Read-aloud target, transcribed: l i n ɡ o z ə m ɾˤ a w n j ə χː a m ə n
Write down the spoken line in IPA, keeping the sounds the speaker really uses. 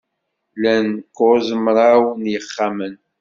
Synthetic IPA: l æ n k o z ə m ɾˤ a w n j ə χː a m ə n